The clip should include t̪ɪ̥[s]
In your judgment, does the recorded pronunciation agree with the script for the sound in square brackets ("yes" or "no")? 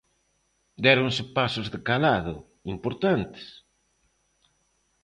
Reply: yes